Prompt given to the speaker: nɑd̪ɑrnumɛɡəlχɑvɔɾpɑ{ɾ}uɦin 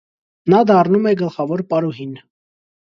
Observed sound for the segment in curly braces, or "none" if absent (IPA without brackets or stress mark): ɾ